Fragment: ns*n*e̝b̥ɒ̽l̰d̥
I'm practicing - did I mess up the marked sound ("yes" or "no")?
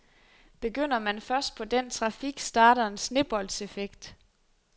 no